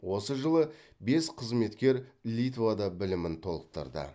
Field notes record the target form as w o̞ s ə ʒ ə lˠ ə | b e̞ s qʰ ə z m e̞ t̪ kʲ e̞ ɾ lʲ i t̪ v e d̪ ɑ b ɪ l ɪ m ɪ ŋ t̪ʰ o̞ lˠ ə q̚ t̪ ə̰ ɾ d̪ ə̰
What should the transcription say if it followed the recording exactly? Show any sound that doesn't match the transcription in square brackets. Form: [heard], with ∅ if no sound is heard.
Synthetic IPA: w o̞ s ə ʒ ə lˠ ə | b e̞ s qʰ ə z m e̞ t̪ kʲ e̞ ɾ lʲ i t̪ v [a] d̪ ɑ b ɪ l ɪ m ɪ [n] t̪ʰ o̞ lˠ ə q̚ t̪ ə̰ ɾ d̪ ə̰